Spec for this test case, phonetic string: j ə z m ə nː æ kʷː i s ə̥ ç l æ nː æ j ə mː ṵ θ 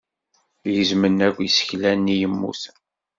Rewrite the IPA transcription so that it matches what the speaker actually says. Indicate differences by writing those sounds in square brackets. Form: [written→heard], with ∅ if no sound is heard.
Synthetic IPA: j ə z m ə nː æ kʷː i s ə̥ ç l æ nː [æ→i] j ə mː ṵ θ